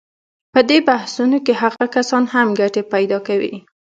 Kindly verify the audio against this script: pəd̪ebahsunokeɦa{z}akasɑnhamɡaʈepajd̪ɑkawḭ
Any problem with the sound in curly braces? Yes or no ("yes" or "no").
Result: yes